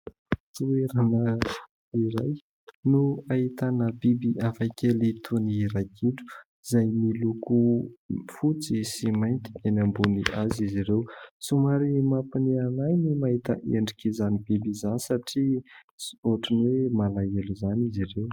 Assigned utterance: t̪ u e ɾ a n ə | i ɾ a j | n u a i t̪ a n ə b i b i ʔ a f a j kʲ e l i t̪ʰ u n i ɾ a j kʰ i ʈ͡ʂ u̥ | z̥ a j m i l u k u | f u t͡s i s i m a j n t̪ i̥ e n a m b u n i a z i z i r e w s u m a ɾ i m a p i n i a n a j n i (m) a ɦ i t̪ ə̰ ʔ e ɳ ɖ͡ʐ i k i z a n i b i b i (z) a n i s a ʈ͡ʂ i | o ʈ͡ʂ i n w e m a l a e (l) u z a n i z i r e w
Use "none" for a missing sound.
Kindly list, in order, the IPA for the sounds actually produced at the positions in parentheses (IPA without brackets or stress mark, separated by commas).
m, z, l